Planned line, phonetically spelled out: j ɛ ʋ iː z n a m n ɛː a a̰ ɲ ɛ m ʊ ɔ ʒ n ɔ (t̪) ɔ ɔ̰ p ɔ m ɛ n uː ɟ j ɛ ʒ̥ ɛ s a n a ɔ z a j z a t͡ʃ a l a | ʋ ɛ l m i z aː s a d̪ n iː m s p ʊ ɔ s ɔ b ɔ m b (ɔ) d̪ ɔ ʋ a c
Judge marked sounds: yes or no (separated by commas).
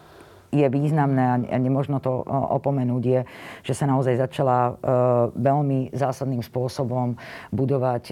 yes, no